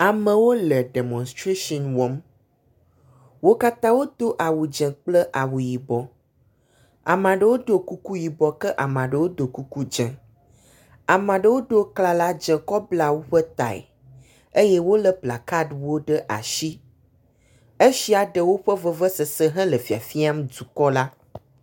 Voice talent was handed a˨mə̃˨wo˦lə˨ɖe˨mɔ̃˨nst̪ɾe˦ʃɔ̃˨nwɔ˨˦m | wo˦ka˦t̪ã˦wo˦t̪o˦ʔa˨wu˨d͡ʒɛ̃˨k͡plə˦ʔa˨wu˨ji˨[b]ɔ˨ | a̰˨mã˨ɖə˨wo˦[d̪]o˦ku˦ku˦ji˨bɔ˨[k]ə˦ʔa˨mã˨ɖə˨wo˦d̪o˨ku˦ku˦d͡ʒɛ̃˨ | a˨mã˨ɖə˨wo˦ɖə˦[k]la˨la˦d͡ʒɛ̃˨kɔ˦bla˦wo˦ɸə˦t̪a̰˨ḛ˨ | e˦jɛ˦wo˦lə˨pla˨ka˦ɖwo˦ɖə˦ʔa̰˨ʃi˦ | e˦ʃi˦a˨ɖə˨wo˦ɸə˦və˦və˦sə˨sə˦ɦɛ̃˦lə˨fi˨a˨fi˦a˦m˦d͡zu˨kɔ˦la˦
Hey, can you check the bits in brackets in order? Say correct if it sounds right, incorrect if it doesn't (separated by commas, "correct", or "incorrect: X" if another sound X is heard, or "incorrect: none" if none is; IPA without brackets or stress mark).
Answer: correct, correct, correct, correct